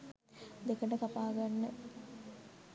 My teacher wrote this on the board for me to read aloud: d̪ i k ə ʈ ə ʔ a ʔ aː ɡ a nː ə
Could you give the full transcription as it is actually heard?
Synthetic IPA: d̪ e k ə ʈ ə k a p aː ɡ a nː ə